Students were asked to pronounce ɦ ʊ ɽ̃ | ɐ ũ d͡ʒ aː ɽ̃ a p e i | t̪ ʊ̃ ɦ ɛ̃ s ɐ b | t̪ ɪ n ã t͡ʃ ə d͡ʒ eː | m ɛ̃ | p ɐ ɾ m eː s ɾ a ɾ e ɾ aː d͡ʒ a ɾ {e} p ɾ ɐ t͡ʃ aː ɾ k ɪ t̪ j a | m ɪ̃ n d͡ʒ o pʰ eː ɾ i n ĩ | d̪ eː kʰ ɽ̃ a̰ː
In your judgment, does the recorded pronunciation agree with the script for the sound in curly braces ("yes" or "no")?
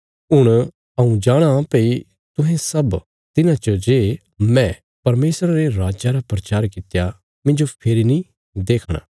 no